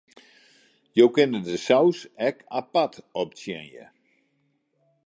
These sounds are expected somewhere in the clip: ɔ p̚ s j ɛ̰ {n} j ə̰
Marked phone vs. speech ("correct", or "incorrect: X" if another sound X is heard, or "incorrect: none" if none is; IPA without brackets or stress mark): correct